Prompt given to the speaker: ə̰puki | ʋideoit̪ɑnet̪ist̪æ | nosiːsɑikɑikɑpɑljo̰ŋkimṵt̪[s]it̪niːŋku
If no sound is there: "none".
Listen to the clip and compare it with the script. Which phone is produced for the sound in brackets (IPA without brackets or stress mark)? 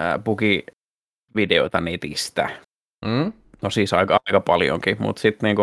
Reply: s